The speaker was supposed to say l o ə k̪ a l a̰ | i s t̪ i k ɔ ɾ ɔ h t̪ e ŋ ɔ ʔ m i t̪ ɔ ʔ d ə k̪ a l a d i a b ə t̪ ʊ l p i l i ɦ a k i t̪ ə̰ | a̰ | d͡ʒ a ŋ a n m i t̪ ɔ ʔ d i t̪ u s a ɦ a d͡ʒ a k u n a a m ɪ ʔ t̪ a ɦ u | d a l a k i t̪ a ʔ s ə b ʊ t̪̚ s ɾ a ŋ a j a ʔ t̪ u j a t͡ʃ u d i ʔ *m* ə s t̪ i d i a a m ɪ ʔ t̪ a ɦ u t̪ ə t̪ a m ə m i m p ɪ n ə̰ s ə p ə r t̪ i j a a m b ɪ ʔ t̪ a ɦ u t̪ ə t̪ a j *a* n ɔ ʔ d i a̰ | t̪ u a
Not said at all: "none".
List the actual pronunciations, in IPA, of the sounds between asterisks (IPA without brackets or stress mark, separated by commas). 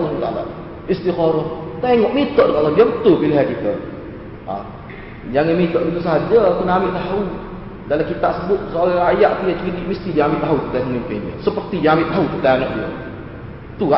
m, a